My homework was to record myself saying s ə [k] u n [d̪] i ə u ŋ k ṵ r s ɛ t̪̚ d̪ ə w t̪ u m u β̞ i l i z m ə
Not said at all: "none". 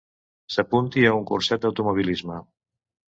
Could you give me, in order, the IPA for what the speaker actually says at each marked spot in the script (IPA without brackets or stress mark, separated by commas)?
p, t̪